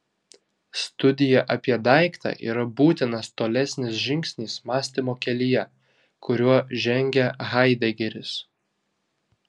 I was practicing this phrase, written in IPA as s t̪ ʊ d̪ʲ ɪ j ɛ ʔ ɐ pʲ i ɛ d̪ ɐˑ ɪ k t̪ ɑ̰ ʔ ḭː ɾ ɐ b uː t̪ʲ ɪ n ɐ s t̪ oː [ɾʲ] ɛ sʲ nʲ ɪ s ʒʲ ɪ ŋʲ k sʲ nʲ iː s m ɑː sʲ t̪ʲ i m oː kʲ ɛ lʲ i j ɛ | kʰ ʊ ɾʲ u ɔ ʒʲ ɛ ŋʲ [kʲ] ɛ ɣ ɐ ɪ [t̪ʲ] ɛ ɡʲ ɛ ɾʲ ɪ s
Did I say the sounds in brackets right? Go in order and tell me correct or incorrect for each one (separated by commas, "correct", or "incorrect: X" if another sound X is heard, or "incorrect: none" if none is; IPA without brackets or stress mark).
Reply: incorrect: lʲ, incorrect: ɡʲ, incorrect: d̪ʲ